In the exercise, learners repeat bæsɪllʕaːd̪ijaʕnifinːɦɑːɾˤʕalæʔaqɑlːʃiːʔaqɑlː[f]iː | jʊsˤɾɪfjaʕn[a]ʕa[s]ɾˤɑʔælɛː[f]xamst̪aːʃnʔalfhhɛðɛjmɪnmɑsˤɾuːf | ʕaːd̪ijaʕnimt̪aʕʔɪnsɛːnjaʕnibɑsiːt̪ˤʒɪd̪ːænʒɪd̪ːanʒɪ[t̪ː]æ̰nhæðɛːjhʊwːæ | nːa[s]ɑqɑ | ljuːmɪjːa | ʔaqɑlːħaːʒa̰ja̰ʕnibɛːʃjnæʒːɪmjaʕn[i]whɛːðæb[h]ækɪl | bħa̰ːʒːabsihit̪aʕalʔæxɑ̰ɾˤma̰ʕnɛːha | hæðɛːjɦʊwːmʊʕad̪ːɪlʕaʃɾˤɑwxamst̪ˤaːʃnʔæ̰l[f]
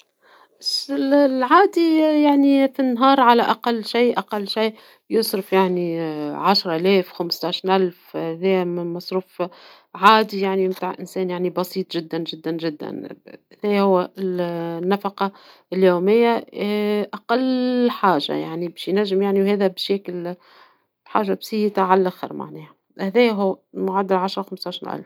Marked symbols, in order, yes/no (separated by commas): no, no, no, yes, no, no, yes, no, yes